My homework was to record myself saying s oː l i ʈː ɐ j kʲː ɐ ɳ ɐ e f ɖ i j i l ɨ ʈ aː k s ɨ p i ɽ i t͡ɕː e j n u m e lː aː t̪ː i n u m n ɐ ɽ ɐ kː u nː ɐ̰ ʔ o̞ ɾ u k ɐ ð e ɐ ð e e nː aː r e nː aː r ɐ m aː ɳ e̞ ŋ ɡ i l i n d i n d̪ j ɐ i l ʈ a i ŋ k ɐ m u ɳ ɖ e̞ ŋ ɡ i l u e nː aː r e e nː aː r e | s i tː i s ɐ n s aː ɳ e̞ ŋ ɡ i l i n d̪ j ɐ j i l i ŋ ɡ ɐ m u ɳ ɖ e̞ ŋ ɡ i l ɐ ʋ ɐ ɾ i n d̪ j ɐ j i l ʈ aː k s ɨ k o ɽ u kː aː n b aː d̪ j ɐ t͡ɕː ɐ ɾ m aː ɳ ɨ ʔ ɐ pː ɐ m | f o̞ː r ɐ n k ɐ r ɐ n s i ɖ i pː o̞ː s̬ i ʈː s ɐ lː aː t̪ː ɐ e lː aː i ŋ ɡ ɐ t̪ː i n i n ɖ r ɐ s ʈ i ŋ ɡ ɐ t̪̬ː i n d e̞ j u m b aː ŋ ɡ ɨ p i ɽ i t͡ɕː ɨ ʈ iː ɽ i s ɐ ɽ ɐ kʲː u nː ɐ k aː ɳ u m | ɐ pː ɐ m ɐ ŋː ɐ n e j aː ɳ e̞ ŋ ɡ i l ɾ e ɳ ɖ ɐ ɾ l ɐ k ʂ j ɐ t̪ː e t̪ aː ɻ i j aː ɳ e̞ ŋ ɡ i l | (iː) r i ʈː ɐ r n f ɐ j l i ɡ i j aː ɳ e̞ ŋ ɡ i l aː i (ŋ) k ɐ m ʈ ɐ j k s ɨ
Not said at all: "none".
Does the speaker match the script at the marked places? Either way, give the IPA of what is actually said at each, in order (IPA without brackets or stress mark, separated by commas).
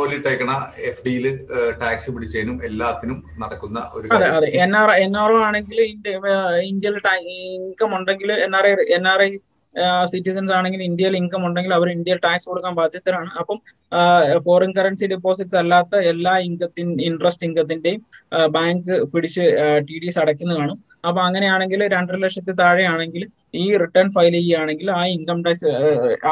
iː, ŋ